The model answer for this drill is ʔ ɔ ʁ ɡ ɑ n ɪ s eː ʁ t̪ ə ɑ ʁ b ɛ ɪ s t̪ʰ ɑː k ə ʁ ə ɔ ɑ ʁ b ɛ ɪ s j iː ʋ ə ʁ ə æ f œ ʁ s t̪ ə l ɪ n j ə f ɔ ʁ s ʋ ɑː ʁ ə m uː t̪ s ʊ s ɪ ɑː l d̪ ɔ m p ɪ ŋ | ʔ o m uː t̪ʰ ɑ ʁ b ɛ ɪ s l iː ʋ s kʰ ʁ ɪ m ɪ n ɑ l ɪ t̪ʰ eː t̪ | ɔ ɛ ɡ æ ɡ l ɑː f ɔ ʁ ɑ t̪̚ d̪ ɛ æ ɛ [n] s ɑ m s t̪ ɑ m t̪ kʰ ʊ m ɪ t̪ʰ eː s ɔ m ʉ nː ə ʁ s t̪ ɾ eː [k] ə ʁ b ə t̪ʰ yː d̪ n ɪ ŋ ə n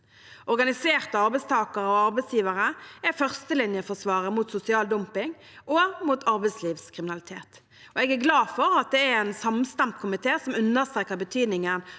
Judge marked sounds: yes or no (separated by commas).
yes, yes